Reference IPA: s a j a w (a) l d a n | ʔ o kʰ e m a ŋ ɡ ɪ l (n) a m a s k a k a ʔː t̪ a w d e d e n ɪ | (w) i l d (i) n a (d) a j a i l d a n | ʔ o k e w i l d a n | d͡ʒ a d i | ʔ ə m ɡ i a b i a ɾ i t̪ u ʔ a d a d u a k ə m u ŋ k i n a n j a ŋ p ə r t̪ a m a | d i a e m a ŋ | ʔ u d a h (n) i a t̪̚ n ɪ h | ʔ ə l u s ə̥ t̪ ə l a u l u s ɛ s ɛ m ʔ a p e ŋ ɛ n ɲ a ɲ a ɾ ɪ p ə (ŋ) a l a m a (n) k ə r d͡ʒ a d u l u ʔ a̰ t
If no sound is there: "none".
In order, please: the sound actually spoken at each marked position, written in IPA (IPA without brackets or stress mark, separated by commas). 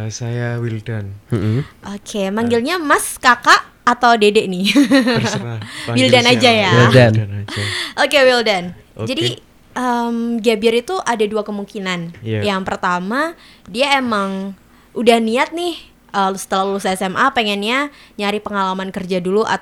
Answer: i, ɲ, w, a, d͡ʒ, n, ŋ, n